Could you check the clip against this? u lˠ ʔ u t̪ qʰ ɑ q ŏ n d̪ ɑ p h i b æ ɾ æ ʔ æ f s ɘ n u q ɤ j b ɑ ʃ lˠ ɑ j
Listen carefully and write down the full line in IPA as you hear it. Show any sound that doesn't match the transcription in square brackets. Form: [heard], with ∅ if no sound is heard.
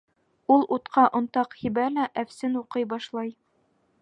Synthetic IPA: u lˠ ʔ u t̪ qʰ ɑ [ʔ] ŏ n [t̪] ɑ [q] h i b æ [l] æ ʔ æ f s ɘ n u q ɤ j b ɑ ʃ lˠ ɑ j